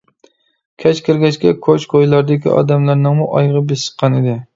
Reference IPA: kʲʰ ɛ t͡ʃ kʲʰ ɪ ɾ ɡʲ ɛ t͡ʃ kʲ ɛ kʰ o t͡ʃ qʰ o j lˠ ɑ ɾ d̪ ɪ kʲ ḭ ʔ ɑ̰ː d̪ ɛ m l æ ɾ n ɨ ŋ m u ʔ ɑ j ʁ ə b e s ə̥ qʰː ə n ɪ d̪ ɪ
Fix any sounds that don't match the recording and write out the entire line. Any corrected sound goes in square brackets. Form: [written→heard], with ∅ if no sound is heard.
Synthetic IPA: kʲʰ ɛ t͡ʃ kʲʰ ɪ ɾ ɡʲ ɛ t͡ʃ kʲ ɛ kʰ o t͡ʃ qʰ o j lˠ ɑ ɾ d̪ ɪ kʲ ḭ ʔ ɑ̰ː d̪ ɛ m l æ ɾ n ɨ ŋ m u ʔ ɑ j ʁ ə b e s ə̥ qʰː [ə→ɑ] n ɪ d̪ ɪ